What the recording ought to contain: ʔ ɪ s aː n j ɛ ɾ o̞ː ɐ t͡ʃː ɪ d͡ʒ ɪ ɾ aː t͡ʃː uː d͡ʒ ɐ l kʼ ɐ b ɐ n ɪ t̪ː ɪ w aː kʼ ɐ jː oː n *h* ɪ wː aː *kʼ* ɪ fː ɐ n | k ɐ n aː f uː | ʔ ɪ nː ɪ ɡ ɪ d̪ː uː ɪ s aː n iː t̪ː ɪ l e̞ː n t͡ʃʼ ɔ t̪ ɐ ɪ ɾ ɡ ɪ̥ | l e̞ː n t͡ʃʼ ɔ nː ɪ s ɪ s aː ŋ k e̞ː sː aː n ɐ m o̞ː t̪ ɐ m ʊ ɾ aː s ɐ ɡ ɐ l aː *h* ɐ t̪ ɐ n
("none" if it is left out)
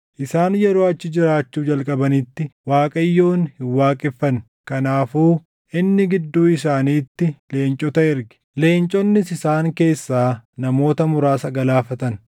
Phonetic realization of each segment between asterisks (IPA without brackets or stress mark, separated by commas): h, kʼ, f